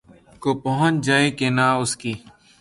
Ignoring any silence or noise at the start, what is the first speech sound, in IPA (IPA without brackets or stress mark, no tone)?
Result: k